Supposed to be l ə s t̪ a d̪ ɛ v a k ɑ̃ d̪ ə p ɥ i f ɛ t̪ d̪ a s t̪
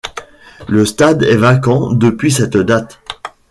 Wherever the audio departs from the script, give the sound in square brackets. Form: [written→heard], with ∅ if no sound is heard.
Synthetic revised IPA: l ə s t̪ a d̪ ɛ v a k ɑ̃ d̪ ə p ɥ i [f→s] ɛ t̪ d̪ a [s→∅] t̪